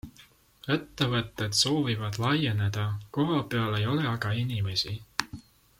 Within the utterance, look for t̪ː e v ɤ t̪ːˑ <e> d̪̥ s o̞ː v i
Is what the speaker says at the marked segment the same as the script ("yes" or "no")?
yes